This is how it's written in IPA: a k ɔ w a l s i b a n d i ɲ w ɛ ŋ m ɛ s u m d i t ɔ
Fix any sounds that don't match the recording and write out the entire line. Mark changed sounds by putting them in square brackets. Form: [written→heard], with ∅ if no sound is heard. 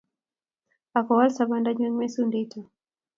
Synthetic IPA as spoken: a k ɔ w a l s [i→a] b a n d [i→a] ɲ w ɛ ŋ m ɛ s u [m→n] d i t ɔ